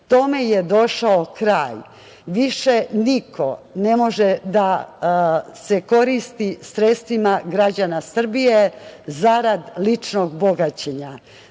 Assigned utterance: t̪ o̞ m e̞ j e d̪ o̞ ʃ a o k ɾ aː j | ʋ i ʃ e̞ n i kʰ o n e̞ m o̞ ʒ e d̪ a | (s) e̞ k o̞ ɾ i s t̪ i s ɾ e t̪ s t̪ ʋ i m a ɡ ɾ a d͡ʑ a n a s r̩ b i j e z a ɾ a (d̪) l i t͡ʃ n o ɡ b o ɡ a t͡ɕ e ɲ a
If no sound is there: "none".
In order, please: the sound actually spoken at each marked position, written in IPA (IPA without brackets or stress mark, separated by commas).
s, d̪